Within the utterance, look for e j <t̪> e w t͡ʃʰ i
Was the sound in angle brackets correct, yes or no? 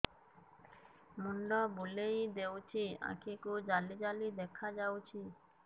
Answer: no